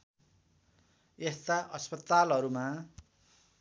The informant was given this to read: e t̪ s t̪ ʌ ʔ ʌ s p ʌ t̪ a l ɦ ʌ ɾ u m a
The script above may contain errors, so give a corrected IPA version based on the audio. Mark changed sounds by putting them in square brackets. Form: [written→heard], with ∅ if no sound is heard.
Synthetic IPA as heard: e [t̪→∅] s t̪ [ʌ→a] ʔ ʌ s p ʌ t̪ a l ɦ ʌ ɾ u m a